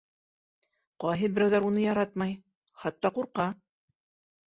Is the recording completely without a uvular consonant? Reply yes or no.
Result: no